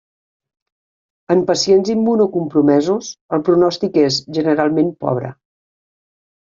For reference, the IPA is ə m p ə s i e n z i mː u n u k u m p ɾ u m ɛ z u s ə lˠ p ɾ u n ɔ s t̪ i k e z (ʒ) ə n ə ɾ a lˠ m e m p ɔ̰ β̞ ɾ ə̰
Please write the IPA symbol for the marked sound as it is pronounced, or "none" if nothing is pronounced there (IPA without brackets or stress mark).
ʒ